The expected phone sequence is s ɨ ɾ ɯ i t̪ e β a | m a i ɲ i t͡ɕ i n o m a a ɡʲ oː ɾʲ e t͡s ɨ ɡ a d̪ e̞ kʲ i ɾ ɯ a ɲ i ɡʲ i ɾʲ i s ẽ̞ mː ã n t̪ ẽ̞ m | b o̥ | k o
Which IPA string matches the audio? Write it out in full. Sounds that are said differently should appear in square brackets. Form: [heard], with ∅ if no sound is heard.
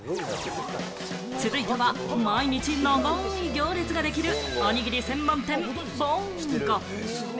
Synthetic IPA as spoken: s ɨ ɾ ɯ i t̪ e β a | m a i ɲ i t͡ɕ i n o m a [i] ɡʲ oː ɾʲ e t͡s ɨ ɡ a d̪ e̞ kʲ i ɾ ɯ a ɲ i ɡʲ i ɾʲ i s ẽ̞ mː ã n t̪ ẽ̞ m | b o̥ | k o